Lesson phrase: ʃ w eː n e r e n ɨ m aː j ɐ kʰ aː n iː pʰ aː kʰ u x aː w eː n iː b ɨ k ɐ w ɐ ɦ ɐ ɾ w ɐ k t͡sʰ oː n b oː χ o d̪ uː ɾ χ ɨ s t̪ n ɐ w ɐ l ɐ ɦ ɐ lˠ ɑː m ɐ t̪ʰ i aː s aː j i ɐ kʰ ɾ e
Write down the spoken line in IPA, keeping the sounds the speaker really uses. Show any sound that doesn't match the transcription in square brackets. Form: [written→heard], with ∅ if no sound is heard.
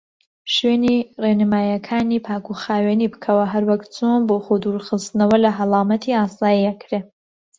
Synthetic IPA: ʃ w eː n [e→i] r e n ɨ m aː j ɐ kʰ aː n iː pʰ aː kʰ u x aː w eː n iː b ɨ [k→kʰ] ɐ w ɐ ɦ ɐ ɾ w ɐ k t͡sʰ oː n b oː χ o d̪ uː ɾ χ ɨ s t̪ n ɐ w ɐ l ɐ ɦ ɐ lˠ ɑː m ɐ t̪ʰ i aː s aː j i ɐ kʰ ɾ e